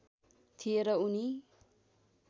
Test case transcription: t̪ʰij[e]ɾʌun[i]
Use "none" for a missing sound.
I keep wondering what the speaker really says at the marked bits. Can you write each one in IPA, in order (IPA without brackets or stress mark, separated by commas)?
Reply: e, i